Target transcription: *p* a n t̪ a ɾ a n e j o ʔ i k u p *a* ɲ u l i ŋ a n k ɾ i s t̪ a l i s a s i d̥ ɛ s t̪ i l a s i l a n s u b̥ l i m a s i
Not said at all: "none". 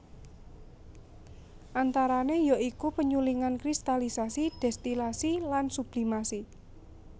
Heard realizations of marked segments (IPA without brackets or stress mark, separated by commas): ʔ, ə